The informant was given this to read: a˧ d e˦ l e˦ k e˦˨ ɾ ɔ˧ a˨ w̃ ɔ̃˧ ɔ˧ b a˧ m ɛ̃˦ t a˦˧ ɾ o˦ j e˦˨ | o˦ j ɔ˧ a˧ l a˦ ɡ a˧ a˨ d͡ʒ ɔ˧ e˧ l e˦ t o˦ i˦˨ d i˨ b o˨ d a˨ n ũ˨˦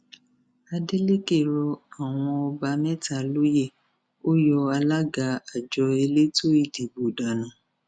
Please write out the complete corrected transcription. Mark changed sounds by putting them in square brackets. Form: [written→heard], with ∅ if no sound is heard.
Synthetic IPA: a˧ d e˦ l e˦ k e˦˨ ɾ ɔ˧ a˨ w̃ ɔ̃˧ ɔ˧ b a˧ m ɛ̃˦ t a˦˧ [ɾ→l] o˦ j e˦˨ | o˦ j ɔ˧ a˧ l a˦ ɡ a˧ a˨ d͡ʒ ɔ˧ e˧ l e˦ t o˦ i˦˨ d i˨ b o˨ d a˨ n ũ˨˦